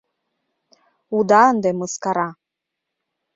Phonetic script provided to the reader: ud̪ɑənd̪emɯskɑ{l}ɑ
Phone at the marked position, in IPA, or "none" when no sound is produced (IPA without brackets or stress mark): ɾ